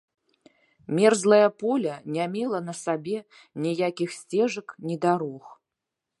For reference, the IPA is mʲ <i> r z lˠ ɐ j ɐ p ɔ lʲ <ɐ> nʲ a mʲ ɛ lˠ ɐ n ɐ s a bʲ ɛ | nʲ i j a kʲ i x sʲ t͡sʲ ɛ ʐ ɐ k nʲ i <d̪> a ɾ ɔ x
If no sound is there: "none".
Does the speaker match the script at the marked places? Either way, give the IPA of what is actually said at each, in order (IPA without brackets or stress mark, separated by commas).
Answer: ɛ, ɐ, d̪